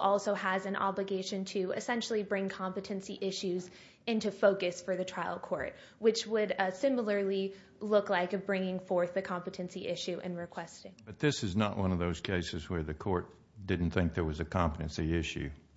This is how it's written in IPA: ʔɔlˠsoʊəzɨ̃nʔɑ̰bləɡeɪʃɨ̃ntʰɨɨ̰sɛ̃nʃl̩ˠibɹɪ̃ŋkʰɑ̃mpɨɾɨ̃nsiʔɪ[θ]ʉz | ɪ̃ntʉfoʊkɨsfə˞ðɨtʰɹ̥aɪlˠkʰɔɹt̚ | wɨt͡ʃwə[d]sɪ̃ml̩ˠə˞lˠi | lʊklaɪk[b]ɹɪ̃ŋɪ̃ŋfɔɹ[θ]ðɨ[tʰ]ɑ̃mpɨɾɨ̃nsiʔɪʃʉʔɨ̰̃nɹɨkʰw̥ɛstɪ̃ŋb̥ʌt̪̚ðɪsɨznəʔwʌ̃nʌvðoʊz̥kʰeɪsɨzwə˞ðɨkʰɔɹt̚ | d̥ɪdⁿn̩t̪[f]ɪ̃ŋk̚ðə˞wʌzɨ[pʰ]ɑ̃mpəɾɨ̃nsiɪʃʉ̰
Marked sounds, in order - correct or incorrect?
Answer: incorrect: ʃ, correct, correct, correct, incorrect: kʰ, incorrect: θ, incorrect: kʰ

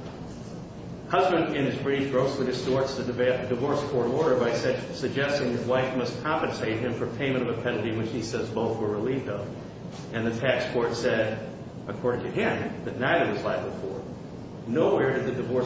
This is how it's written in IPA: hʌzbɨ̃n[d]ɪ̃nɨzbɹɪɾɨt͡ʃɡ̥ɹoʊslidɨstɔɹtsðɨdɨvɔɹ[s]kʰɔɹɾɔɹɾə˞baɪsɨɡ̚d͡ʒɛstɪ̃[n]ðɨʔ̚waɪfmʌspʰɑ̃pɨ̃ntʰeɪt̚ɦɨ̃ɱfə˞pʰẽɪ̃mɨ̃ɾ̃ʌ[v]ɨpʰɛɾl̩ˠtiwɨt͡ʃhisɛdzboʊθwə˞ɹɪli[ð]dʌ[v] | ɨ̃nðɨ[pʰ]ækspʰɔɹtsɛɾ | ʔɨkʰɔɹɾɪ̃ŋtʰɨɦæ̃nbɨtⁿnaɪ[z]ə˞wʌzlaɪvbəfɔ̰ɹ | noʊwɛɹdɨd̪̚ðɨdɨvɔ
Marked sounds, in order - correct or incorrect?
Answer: correct, correct, incorrect: ŋ, correct, incorrect: v, correct, incorrect: tʰ, incorrect: ð

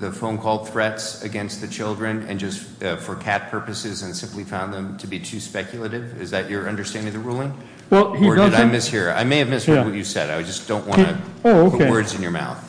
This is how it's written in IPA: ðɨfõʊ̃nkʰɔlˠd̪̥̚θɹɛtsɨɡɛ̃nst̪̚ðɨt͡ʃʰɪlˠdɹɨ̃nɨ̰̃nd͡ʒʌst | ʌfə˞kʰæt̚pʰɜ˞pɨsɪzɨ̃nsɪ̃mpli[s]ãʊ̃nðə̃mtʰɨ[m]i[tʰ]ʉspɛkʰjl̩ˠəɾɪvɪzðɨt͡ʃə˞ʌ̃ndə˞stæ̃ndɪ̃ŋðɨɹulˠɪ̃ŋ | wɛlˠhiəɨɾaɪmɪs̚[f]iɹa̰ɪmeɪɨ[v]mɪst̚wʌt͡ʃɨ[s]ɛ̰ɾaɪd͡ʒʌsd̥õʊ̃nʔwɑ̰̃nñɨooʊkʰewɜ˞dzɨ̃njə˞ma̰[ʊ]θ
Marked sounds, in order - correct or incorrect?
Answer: incorrect: f, incorrect: b, correct, incorrect: h, correct, correct, correct

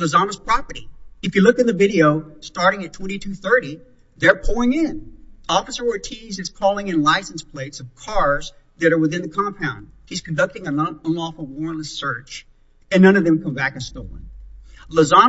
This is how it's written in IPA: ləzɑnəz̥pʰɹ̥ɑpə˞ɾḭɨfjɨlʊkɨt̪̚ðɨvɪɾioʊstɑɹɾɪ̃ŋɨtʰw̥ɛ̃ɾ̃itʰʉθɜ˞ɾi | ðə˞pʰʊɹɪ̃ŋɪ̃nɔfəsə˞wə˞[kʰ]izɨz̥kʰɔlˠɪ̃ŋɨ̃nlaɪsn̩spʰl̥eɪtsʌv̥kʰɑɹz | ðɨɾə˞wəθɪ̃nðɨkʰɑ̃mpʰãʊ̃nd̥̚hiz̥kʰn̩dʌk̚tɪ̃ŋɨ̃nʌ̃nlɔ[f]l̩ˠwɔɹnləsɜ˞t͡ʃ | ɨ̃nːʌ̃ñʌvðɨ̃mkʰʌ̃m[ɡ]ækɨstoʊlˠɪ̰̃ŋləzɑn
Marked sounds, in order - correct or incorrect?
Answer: incorrect: tʰ, correct, incorrect: b

